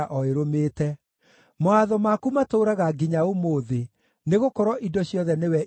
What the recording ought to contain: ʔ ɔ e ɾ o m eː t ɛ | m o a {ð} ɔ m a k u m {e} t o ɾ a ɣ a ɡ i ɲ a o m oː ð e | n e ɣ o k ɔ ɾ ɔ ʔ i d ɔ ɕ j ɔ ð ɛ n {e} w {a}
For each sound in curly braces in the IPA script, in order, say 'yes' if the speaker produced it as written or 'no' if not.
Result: yes, no, yes, no

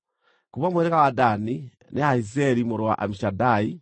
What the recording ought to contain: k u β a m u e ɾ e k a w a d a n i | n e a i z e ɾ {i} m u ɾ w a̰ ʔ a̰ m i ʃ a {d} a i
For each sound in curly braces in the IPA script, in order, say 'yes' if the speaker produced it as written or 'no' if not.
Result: yes, yes

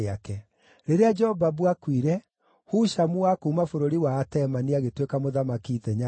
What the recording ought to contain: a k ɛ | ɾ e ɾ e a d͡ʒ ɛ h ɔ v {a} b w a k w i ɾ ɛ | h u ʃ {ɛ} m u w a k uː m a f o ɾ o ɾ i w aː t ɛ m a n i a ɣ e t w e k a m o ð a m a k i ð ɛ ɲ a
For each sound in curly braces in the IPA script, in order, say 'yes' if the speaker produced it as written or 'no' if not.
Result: yes, no

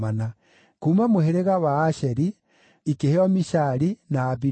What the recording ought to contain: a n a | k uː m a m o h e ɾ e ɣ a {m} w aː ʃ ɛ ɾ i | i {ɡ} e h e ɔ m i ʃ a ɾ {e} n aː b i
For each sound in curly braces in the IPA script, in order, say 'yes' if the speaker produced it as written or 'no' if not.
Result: no, no, no

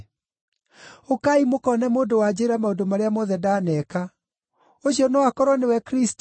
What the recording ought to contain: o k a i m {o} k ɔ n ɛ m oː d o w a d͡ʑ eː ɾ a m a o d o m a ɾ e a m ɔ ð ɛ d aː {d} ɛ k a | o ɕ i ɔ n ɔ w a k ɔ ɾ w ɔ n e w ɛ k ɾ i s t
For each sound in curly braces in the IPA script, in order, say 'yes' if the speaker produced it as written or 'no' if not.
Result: yes, no

